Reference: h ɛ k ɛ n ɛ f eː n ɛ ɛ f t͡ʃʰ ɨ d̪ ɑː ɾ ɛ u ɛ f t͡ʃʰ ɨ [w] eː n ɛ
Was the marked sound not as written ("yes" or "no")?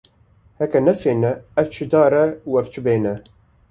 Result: yes